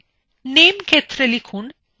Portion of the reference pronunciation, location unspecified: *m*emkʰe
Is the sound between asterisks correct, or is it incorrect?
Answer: incorrect